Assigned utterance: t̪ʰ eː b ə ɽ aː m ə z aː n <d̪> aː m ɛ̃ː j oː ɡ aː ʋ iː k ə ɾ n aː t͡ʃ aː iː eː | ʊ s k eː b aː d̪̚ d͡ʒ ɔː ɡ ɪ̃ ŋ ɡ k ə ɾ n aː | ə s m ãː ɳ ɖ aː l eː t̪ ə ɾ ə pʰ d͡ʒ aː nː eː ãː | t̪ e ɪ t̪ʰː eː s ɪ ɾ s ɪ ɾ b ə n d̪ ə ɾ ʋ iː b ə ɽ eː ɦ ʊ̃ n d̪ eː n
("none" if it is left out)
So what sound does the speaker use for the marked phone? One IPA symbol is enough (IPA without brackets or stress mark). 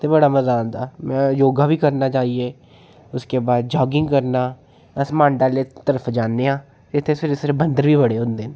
d̪